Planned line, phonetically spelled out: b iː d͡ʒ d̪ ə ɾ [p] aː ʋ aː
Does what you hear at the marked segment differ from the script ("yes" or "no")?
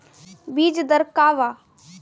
yes